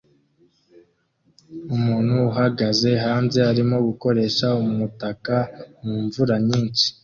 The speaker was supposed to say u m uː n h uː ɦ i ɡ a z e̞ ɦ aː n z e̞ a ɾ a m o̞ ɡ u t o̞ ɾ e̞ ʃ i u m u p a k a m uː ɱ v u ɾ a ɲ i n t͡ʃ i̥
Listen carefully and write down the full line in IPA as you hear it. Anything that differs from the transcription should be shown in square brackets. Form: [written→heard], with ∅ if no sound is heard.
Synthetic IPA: u m uː n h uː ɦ [i→a] ɡ a z e̞ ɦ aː n z e̞ a ɾ [a→i] m o̞ ɡ u [t→k] o̞ ɾ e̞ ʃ [i→a] u m u [p→t] a k a m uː ɱ v u ɾ a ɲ [i→iː] n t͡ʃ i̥